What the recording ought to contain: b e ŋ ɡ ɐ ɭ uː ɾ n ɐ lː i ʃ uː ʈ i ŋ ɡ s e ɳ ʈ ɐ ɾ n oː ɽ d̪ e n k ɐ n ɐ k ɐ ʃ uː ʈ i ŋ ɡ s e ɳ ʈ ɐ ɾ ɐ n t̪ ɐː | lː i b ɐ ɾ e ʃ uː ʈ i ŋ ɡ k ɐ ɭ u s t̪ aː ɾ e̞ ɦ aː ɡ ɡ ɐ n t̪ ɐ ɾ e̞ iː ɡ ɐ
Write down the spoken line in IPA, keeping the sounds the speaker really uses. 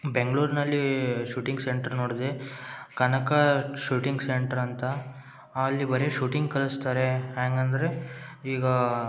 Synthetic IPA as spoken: b e ŋ ɡ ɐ ɭ uː ɾ n ɐ lː i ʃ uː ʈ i ŋ ɡ s e ɳ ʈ ɐ ɾ n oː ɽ d̪ e k ɐ n ɐ k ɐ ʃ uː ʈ i ŋ ɡ s e ɳ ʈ ɐ ɾ ɐ n t̪ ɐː | lː i b ɐ ɾ e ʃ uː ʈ i ŋ ɡ k ɐ ɭ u s t̪ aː ɾ e̞ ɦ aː ŋ ɡ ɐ n d̪ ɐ ɾ e̞ iː ɡ ɐ